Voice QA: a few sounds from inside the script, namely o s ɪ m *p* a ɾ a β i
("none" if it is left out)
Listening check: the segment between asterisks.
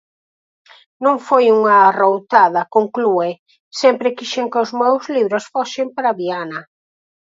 p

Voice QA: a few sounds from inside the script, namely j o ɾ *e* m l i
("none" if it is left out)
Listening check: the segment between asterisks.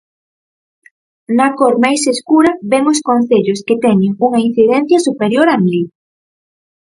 a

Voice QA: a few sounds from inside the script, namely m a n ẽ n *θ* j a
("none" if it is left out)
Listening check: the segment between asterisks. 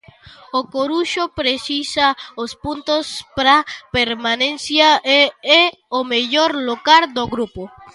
s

